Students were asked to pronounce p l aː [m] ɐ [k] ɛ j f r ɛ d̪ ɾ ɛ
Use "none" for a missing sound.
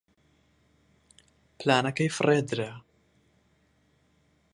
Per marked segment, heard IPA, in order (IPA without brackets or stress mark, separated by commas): n, k